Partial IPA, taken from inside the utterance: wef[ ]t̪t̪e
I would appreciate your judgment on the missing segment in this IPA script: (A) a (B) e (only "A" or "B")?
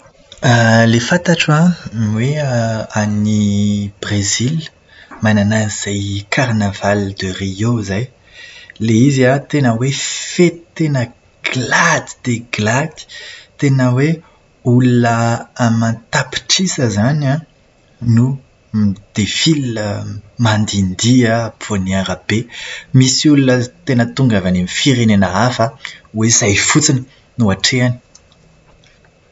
B